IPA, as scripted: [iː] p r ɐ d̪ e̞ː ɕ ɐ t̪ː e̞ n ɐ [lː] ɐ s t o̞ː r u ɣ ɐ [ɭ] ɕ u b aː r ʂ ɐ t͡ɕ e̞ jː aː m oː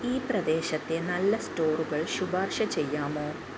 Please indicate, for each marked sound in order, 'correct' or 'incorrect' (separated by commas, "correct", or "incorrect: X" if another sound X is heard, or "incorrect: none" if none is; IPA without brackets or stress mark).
correct, correct, correct